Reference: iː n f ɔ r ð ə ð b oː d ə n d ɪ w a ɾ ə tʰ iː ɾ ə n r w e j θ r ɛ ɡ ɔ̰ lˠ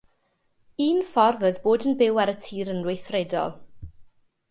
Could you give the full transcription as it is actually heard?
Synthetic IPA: iː n f ɔ r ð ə ð b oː d ə n b ɪ w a ɾ ə tʰ iː ɾ ə n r w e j θ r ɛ d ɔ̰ lˠ